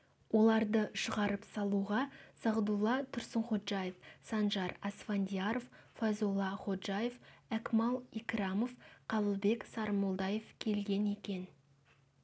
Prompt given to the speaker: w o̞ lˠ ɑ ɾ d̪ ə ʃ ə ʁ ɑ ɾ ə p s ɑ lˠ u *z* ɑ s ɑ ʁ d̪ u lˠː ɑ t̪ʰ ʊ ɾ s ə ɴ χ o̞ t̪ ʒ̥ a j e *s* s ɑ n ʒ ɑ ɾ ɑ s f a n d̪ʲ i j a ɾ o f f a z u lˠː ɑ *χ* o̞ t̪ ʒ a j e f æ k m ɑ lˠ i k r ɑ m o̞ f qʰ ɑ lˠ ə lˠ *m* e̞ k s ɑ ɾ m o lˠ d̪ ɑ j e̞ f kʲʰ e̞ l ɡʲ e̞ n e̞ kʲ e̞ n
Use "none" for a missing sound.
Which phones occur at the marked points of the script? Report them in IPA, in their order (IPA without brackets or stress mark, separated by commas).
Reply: ʁ, f, χ, b